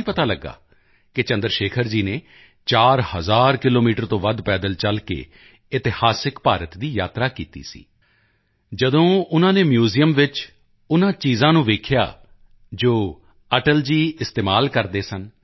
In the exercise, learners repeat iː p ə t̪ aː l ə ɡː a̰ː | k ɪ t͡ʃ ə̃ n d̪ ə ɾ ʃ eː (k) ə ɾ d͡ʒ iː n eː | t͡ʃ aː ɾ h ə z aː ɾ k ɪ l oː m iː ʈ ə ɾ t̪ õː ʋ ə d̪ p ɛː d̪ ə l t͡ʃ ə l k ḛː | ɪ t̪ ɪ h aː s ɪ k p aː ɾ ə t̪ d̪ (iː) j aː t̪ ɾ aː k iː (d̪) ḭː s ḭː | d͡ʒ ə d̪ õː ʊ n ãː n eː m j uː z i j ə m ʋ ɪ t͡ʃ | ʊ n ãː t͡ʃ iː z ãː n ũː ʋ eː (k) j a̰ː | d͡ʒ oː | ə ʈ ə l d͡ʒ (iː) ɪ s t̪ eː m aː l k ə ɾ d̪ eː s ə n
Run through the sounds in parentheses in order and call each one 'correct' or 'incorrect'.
incorrect: kʰ, correct, incorrect: t̪, incorrect: kʰ, correct

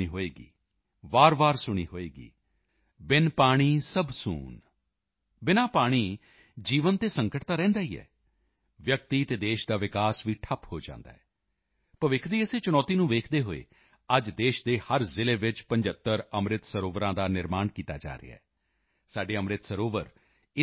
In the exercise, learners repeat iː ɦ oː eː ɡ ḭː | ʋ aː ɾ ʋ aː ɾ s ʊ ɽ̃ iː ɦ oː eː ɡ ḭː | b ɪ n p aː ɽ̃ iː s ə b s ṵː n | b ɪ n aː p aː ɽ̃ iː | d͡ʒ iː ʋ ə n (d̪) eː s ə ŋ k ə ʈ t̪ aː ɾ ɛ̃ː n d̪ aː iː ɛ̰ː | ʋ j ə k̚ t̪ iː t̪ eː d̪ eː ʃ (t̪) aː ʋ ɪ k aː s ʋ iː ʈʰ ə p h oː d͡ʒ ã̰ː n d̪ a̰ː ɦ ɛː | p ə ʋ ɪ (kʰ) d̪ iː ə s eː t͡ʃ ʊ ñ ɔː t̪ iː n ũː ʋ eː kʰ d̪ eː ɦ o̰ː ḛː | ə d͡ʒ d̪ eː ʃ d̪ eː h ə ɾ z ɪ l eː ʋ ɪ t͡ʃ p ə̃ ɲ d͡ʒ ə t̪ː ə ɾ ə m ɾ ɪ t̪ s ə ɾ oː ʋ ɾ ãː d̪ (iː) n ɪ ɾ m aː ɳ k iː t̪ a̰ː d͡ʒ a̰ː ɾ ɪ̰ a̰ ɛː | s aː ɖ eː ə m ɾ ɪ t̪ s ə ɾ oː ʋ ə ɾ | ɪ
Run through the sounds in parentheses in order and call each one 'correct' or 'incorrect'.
incorrect: t̪, incorrect: d̪, correct, incorrect: aː

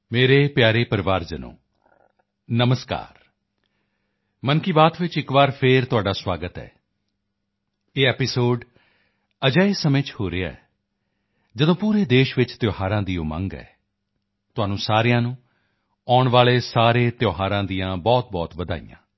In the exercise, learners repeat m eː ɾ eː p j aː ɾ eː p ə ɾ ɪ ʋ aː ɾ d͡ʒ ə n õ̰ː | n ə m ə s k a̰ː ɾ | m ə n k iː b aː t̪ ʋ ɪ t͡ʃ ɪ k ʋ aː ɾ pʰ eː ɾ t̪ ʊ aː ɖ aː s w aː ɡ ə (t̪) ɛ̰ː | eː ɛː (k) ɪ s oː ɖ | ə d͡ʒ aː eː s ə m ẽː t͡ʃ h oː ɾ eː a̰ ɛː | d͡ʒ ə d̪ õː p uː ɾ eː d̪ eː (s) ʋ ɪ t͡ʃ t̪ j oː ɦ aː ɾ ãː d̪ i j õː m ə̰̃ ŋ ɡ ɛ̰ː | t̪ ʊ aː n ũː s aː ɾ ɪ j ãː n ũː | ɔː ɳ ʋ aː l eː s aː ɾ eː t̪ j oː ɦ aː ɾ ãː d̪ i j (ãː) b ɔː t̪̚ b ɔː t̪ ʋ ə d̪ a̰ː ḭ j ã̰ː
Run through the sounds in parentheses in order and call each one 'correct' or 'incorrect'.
correct, incorrect: p, incorrect: ʃ, correct

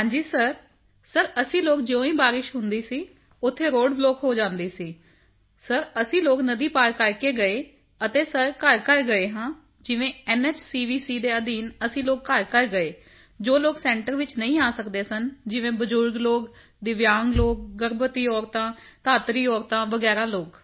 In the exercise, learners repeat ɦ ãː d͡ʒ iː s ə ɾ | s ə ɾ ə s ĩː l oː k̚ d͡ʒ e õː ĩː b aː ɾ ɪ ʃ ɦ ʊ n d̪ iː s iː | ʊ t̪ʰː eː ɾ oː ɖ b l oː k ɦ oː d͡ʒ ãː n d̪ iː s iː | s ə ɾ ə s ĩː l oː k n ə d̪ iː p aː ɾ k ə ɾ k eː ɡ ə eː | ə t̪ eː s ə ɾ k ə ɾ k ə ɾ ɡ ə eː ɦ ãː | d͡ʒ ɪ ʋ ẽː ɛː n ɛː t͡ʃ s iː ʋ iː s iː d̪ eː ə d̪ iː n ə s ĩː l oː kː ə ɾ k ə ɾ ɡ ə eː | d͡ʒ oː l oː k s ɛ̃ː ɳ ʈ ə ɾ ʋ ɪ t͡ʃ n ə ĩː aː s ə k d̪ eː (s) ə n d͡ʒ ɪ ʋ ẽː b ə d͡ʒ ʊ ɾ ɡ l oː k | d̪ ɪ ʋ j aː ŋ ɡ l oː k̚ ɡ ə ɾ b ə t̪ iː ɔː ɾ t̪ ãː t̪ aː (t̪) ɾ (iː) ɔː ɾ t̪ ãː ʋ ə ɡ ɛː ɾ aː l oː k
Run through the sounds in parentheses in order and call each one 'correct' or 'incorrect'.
correct, correct, correct

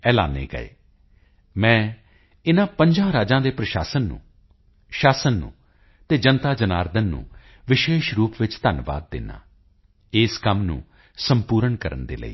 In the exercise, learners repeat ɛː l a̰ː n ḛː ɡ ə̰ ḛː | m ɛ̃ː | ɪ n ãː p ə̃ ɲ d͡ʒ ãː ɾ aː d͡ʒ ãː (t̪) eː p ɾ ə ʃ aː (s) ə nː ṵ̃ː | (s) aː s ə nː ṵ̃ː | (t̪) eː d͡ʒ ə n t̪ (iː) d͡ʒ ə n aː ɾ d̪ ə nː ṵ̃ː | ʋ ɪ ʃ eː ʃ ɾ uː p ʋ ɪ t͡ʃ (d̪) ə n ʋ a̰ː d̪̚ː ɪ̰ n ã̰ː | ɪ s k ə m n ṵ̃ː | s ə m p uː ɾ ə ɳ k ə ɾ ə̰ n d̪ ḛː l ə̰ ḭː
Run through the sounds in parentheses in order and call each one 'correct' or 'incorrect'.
incorrect: d̪, correct, incorrect: ʃ, correct, incorrect: aː, incorrect: t̪

